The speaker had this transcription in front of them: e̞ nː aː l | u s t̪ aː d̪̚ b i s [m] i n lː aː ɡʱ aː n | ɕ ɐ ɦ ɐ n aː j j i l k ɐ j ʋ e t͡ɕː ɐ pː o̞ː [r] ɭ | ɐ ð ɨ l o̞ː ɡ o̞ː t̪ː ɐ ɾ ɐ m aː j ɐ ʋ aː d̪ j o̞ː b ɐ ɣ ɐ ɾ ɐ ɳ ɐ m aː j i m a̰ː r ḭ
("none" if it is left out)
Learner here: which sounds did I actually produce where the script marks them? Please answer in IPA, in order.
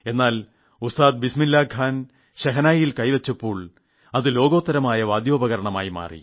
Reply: m, none

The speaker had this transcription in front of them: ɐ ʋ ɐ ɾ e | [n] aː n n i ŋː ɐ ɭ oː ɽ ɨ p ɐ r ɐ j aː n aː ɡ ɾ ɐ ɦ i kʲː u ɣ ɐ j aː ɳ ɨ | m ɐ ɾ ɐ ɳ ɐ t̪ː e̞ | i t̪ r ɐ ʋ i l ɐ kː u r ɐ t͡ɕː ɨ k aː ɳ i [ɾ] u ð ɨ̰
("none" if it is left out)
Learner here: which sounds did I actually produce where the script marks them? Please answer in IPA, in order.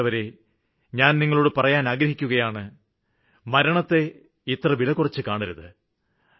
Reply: ɲ, ɾ

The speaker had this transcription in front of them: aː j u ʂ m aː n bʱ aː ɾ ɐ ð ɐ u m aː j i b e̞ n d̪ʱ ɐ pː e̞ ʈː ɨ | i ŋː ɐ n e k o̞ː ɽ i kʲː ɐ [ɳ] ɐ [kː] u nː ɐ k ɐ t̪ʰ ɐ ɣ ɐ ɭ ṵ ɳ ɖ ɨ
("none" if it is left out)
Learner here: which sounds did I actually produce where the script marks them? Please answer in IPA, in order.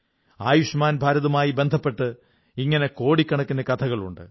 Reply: ɳ, kː

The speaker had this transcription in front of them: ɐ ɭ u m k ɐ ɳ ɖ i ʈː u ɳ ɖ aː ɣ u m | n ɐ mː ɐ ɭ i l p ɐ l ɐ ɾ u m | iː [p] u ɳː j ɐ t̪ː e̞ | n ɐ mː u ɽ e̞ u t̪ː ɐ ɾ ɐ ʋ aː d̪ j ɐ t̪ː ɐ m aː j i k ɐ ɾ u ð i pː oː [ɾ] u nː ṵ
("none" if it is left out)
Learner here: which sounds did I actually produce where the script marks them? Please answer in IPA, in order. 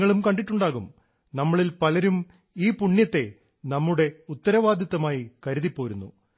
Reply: p, ɾ

